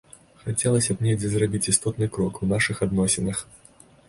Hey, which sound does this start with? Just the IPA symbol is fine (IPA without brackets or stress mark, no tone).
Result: x